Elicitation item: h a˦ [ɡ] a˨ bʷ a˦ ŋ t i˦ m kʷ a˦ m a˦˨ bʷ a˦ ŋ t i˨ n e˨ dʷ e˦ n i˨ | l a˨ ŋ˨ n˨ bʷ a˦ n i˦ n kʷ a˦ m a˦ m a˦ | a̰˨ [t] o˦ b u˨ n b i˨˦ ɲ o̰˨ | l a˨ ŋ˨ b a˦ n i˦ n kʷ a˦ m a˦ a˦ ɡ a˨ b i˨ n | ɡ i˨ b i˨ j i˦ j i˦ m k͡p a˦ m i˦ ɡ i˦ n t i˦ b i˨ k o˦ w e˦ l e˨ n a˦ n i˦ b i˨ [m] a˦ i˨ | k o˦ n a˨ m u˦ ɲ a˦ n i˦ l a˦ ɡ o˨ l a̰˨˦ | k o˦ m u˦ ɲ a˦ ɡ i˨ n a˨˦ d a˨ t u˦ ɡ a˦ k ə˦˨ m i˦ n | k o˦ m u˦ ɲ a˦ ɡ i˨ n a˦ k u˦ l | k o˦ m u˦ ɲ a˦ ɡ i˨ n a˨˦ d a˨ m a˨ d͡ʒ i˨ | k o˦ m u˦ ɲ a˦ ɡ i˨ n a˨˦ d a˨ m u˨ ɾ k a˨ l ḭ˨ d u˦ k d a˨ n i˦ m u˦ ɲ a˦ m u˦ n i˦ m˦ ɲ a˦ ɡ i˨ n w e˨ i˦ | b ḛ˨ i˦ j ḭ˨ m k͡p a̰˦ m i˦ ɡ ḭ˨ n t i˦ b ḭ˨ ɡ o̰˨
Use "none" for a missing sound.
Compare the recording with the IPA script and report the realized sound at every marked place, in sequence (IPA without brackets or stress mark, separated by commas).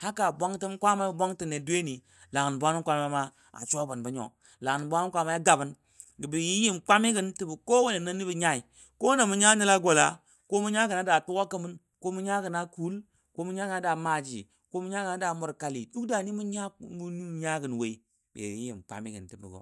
k, t͡ʃ, ɲ